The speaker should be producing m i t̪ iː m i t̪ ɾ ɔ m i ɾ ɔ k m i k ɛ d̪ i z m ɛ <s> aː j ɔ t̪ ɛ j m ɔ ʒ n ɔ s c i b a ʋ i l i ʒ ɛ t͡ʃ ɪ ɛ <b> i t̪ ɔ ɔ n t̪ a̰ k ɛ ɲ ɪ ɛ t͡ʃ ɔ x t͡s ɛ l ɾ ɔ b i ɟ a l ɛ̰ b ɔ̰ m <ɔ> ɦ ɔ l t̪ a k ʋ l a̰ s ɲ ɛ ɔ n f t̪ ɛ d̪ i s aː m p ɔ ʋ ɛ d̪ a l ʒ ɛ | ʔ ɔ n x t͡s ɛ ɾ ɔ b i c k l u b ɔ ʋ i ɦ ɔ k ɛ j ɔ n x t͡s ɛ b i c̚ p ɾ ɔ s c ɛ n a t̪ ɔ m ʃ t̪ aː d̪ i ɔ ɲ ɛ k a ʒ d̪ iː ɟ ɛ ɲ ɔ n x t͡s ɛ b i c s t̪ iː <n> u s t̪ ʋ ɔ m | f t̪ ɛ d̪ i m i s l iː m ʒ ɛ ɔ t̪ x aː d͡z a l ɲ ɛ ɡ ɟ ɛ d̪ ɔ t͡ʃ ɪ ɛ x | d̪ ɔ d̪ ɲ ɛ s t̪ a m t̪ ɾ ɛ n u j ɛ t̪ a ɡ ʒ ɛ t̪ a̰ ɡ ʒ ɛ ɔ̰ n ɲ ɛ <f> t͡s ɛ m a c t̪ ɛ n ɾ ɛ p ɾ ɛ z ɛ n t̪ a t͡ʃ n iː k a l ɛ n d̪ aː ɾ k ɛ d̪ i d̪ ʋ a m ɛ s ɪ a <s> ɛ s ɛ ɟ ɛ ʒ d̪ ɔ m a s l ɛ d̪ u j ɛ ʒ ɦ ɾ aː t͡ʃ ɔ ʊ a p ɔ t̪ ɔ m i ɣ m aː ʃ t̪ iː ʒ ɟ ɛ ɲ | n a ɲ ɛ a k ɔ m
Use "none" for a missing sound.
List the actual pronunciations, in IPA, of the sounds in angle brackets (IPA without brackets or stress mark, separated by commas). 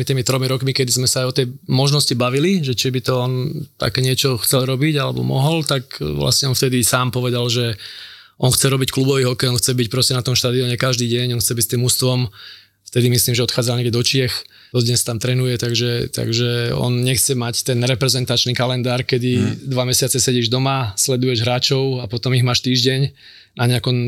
s, b, ɔ, m, x, t͡s